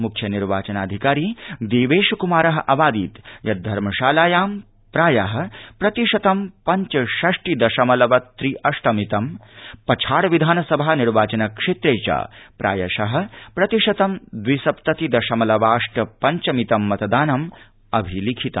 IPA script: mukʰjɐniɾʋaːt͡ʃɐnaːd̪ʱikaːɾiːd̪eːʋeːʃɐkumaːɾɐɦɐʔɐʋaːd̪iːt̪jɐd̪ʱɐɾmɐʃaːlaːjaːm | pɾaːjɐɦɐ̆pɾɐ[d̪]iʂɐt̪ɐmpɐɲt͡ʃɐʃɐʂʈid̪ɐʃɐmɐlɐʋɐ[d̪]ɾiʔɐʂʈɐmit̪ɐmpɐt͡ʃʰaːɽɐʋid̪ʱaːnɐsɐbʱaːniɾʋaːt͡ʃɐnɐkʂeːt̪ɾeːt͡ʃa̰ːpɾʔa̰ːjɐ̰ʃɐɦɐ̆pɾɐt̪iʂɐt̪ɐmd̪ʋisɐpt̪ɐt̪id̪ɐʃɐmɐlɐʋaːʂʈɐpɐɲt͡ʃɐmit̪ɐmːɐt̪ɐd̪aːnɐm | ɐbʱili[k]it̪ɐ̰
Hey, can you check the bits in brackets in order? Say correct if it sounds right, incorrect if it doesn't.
incorrect, incorrect, incorrect

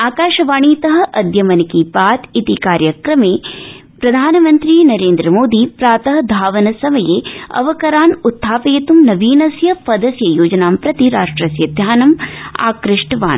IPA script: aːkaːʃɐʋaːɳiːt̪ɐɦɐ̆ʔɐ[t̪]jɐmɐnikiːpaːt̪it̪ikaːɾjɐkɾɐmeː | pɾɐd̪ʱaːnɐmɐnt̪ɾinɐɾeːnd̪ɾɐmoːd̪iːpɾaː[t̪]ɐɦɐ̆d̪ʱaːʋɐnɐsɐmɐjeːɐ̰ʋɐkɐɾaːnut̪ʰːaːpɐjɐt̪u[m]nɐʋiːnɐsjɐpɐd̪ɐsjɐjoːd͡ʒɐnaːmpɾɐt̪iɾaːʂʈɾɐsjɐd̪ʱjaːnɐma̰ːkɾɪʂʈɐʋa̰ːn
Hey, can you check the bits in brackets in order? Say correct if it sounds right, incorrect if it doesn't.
incorrect, correct, correct

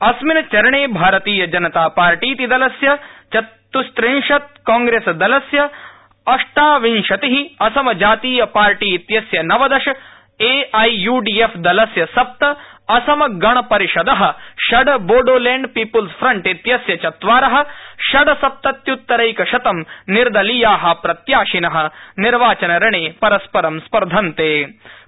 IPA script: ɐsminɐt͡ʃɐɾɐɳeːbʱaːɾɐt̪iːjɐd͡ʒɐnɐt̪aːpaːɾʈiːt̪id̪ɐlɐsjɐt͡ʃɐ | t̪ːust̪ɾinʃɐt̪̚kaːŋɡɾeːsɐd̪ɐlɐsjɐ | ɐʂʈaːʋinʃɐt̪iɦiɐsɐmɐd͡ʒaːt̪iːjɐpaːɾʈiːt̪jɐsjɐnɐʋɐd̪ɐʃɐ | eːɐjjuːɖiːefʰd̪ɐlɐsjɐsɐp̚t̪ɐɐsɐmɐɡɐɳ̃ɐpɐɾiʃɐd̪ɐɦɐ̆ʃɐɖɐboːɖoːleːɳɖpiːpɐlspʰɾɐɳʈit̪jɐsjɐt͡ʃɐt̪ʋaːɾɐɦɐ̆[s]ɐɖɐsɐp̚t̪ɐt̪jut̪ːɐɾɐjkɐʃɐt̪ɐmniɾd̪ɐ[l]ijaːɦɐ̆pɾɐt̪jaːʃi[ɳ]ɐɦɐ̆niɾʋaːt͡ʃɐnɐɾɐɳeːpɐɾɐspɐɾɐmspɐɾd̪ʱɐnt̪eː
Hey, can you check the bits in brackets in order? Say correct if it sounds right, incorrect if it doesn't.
incorrect, correct, incorrect

